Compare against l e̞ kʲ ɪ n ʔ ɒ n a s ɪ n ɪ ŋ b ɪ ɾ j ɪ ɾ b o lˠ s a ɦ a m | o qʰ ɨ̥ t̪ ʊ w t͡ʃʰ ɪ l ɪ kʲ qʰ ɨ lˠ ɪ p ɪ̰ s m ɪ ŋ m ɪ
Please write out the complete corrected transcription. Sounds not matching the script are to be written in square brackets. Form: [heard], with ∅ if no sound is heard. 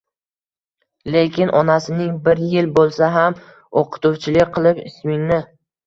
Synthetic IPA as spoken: l e̞ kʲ ɪ n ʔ ɒ n a s ɪ n ɪ ŋ b ɪ ɾ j ɪ [l] b o lˠ s a ɦ a m | o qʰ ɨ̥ t̪ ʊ w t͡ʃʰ ɪ l ɪ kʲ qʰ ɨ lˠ ɪ p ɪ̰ s m ɪ ŋ [n] ɪ